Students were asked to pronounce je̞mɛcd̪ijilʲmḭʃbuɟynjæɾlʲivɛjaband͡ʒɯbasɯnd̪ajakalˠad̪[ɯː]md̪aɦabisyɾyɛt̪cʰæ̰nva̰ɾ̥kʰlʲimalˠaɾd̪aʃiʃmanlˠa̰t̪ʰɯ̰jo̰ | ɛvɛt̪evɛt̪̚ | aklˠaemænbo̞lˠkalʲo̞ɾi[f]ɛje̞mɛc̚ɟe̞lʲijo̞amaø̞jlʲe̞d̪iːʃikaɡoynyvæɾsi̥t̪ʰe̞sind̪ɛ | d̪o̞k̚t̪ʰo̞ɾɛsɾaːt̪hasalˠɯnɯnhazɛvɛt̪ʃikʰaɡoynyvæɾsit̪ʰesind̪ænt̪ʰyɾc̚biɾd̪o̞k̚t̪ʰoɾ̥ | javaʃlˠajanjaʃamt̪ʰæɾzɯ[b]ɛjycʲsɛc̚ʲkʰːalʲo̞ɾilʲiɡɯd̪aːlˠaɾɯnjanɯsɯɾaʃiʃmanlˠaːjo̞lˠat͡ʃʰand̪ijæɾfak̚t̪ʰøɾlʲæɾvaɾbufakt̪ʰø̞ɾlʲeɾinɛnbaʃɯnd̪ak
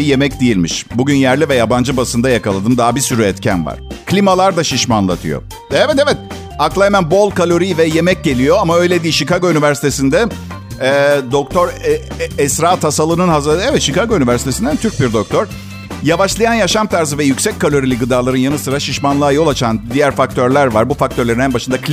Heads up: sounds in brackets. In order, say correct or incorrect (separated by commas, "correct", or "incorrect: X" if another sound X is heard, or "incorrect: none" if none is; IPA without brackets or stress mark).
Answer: incorrect: ɯ, incorrect: v, incorrect: v